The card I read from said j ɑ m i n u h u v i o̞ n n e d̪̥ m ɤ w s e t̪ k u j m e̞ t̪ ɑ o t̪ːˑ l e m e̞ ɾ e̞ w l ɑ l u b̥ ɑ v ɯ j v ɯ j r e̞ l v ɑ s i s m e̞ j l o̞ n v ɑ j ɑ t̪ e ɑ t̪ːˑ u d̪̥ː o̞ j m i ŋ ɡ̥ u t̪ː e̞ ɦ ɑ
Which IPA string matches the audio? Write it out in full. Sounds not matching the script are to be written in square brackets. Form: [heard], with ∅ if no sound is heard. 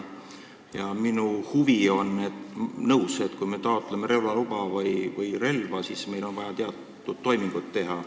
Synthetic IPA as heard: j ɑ m i n u h u v i o̞ n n e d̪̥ [n] ɤ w s e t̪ k u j m e̞ t̪ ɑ o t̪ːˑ l e m e̞ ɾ e̞ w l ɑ l u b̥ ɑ v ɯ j v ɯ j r e̞ l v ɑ s i s m e̞ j l o̞ n v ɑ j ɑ t̪ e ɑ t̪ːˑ u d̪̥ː o̞ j m i ŋ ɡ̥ u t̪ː e̞ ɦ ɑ